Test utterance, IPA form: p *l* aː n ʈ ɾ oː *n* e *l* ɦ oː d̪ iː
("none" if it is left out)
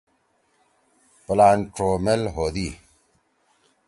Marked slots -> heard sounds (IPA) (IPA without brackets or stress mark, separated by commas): l, m, l